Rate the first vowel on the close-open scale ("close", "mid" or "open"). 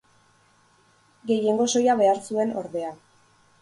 mid